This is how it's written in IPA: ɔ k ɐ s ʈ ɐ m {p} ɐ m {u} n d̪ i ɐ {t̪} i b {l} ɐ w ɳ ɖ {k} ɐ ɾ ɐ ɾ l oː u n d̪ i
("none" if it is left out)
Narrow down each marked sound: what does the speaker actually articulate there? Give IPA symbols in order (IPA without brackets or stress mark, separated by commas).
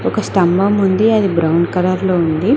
b, u, d̪, ɾ, k